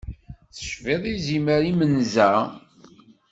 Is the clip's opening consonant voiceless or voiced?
voiceless